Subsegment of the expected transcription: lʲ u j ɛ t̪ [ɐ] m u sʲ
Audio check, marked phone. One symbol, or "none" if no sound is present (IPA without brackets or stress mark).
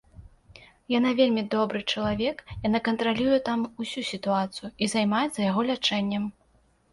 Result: a